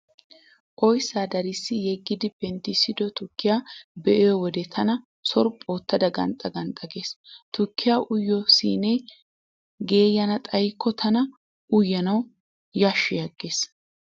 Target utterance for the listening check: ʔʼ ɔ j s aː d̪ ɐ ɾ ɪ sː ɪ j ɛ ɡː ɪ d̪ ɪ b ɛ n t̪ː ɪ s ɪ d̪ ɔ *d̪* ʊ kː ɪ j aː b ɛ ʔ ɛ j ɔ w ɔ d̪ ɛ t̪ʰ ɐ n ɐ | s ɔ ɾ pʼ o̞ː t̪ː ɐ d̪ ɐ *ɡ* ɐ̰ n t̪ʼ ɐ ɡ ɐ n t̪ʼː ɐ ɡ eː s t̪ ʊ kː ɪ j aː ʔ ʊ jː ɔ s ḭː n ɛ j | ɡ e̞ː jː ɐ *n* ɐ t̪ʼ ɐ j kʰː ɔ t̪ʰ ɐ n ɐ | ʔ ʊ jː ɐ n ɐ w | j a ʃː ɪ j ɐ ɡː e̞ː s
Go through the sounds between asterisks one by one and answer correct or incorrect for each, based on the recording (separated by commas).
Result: incorrect, correct, correct